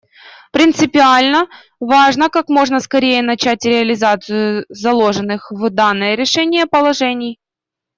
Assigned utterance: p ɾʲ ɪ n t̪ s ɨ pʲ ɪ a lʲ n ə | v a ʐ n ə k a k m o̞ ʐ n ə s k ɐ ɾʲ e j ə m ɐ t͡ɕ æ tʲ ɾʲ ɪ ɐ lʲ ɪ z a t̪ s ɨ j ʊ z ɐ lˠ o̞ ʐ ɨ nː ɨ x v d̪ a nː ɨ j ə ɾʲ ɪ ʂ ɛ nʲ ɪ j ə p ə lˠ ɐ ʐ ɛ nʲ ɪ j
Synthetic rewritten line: p ɾʲ ɪ n t̪ s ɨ pʲ ɪ a lʲ n ə | v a ʐ n ə k a k m o̞ ʐ n ə s k ɐ ɾʲ e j ə n ɐ t͡ɕ æ tʲ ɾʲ ɪ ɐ lʲ ɪ z a t̪ s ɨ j ʊ z ɐ lˠ o̞ ʐ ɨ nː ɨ x v d̪ a nː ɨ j ə ɾʲ ɪ ʂ ɛ nʲ ɪ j ə p ə lˠ ɐ ʐ ɛ nʲ ɪ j